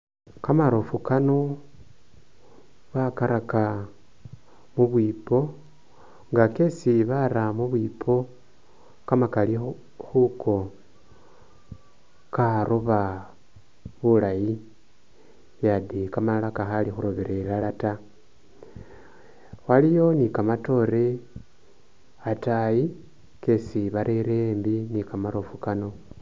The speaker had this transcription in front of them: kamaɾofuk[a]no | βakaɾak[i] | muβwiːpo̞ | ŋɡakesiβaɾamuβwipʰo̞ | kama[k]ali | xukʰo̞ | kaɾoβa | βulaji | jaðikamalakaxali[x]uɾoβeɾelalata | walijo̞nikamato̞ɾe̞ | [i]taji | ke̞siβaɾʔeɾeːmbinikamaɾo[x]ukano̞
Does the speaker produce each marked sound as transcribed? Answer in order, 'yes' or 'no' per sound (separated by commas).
yes, no, yes, yes, no, no